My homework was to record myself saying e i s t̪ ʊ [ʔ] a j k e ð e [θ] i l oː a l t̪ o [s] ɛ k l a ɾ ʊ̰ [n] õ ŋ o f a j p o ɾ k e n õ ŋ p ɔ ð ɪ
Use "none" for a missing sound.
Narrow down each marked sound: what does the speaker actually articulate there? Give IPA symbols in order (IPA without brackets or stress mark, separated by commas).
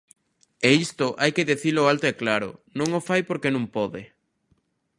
ʔ, θ, none, n